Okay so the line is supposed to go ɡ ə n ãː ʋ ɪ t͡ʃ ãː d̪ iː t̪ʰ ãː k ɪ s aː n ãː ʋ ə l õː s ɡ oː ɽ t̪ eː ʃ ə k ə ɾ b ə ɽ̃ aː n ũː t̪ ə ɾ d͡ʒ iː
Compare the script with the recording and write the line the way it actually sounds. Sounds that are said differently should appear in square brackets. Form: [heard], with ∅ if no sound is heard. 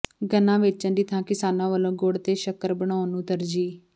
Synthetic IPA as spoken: ɡ ə n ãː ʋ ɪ t͡ʃ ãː d̪ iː t̪ʰ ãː k ɪ s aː n ãː ʋ ə l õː [∅] ɡ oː ɽ t̪ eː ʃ ə k ə ɾ b ə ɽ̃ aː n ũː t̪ ə ɾ d͡ʒ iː